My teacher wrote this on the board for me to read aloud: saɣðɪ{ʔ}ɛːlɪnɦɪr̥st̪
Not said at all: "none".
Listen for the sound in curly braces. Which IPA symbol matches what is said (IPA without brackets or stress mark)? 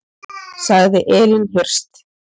ʔ